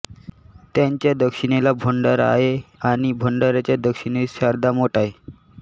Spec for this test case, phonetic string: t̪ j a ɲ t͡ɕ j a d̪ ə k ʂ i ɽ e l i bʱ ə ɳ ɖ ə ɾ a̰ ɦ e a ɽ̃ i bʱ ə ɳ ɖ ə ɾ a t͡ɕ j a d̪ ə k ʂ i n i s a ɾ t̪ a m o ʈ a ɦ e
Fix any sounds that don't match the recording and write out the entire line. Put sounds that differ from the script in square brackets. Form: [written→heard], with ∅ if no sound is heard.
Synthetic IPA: t̪ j a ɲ t͡ɕ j a d̪ ə k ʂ i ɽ e l [i→a] bʱ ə ɳ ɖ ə ɾ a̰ ɦ e a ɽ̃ i bʱ ə ɳ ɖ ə ɾ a t͡ɕ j a d̪ ə k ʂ i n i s a ɾ [t̪→d̪] a m o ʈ a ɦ e